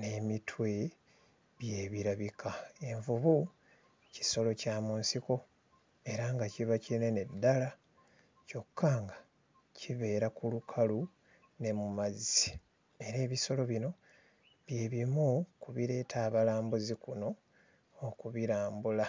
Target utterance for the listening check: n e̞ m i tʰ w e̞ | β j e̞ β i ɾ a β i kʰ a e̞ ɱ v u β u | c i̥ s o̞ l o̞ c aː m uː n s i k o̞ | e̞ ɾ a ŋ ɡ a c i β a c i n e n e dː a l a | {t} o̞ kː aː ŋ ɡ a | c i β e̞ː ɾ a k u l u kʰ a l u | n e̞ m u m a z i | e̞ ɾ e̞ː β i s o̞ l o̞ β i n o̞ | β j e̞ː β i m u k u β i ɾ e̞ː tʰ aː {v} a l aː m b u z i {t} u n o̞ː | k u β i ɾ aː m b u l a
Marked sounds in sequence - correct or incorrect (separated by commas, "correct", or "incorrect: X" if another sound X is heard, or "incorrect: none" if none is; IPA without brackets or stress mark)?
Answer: incorrect: c, incorrect: β, incorrect: k